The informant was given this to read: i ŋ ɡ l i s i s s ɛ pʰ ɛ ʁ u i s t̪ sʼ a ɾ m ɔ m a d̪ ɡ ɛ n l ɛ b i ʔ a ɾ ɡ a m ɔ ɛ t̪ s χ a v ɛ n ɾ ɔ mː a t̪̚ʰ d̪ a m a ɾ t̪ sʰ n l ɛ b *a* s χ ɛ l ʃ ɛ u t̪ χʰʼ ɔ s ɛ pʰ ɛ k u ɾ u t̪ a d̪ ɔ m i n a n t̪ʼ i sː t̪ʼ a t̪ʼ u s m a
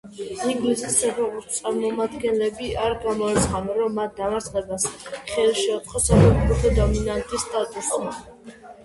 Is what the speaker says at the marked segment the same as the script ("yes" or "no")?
yes